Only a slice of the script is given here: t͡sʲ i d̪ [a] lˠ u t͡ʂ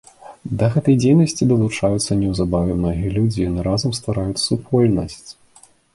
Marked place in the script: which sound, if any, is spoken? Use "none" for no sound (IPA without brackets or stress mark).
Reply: ɐ